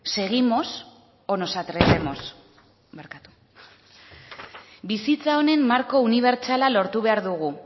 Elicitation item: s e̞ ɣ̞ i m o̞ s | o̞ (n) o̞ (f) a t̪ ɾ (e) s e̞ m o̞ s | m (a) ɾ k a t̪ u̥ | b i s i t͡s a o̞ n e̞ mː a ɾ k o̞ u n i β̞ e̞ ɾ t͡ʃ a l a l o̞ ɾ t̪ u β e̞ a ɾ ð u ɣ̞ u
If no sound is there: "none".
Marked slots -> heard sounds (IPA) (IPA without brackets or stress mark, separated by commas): n, s, e, e